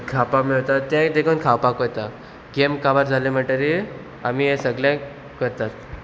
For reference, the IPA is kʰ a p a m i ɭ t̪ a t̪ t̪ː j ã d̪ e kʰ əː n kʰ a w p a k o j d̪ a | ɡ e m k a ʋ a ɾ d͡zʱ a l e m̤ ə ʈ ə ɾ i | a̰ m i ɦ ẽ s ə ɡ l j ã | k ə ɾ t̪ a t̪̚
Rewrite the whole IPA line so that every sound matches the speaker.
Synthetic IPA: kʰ a p a m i ɭ t̪ a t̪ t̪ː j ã d̪ e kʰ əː n kʰ a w p a k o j t̪ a | ɡ e m k a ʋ a ɾ d͡zʱ a l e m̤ ə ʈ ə ɾ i | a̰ m i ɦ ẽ s ə ɡ l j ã | k ə ɾ t̪ a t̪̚